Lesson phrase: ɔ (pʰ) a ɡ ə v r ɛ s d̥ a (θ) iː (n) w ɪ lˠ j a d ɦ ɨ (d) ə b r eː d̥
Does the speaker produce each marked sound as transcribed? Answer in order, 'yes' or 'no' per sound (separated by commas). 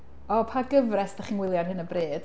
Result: yes, no, yes, no